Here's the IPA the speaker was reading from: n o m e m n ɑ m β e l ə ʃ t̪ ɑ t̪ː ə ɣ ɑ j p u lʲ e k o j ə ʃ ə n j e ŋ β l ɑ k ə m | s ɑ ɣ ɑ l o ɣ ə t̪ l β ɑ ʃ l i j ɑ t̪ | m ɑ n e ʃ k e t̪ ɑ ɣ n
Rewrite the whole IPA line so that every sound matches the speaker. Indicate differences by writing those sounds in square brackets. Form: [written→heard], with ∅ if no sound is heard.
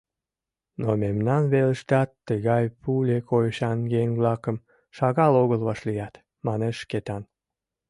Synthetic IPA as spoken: n o m e m n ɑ [m→n] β e l ə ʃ t̪ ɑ t̪ː ə ɣ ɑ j p u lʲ e k o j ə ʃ [ə→ɑ] n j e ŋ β l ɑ k ə m | [s→ʃ] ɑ ɣ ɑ l o ɣ ə [t̪→∅] l β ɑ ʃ l i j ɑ t̪ | m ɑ n e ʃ k e t̪ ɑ [ɣ→∅] n